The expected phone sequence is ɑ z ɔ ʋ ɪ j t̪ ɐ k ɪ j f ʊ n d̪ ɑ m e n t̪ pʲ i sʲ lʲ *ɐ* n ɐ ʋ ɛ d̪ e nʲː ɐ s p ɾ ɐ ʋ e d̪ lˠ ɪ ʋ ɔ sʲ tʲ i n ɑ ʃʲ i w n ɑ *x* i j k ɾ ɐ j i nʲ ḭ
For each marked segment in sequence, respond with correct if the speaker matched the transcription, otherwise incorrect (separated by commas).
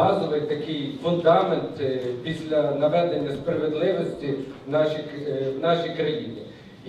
correct, incorrect